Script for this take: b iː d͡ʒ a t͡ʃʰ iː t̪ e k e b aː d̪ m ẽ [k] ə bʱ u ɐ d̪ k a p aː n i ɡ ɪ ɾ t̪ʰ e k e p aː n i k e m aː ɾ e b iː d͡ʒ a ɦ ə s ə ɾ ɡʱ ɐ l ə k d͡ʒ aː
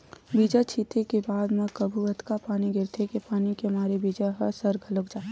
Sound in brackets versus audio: correct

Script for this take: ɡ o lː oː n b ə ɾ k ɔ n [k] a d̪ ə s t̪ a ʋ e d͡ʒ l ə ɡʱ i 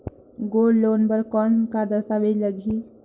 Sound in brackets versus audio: correct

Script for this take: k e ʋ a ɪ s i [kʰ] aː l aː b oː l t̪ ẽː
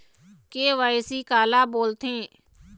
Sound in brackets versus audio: incorrect: k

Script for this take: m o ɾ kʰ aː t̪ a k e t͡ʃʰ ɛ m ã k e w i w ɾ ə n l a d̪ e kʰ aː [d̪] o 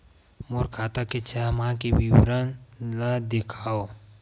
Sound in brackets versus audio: incorrect: none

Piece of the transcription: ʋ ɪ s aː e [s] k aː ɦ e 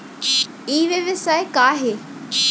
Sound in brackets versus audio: incorrect: none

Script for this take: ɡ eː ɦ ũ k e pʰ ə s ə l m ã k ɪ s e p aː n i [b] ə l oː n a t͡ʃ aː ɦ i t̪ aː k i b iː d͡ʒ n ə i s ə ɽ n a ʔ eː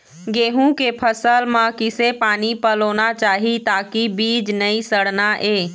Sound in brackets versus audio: incorrect: p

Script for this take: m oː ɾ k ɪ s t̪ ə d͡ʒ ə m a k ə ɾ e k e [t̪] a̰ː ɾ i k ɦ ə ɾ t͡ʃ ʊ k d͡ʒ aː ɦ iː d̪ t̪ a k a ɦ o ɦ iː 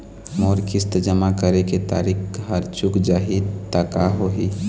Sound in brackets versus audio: correct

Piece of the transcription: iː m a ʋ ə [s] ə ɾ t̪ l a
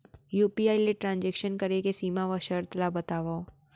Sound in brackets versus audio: incorrect: ʃ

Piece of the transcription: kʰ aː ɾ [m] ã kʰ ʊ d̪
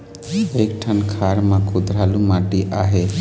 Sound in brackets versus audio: correct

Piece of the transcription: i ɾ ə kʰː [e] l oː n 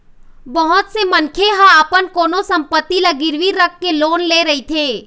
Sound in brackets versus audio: correct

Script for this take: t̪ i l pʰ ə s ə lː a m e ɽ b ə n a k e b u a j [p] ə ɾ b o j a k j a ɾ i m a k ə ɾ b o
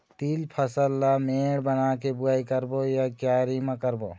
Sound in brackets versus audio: incorrect: k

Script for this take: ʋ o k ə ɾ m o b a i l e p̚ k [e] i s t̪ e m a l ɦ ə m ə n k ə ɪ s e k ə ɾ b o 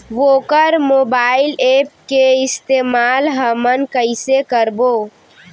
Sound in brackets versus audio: correct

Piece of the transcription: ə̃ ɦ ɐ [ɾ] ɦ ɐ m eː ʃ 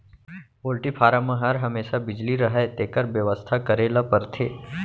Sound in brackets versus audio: correct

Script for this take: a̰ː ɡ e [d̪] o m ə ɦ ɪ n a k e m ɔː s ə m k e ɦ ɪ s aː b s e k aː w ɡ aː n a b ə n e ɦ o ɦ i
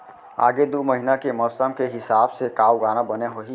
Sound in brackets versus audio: correct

